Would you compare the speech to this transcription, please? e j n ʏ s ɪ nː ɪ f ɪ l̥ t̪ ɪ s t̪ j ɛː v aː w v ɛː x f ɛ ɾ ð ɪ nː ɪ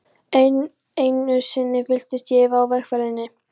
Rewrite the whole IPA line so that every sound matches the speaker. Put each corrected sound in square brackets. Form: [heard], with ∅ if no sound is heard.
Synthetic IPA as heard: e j n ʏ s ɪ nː ɪ f ɪ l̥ t̪ ɪ s t̪ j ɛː v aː w v [ɛ] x f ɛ ɾ ð ɪ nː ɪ